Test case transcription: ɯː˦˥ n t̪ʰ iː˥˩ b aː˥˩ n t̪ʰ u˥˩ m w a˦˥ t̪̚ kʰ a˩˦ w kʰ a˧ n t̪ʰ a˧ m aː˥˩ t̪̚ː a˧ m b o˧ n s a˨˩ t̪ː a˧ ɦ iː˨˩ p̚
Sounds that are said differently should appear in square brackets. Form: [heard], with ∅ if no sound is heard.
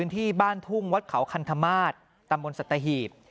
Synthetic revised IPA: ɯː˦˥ n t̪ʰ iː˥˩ b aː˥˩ n t̪ʰ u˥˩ [ŋ] w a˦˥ t̪̚ kʰ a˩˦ w kʰ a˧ n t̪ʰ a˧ m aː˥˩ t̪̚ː a˧ m b o˧ n s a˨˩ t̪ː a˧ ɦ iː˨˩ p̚

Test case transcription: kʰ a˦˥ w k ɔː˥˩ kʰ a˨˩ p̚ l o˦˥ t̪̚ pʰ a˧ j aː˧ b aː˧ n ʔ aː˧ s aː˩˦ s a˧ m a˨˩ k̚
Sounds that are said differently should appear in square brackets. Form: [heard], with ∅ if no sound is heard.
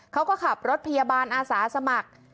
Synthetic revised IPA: kʰ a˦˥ w k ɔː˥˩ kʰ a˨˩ p̚ [ɾ] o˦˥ t̪̚ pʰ a˧ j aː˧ b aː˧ n ʔ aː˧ s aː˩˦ s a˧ m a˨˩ k̚

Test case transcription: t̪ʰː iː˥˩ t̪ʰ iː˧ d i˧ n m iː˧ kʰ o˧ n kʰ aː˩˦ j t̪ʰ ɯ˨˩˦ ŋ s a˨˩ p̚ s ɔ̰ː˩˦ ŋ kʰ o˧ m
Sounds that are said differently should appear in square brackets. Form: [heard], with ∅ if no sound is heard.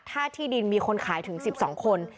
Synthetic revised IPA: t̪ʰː [aː˥˩] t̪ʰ [iː˥˩] d i˧ n m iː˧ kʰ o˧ n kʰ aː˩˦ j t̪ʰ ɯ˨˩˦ ŋ s [i˨˩] p̚ s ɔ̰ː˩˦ ŋ kʰ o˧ [n]

